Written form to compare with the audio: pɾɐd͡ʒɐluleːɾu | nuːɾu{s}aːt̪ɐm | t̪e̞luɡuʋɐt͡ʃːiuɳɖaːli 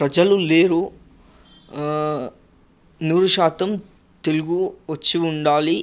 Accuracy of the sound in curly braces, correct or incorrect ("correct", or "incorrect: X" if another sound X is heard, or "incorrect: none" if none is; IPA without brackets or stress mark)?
incorrect: ʃ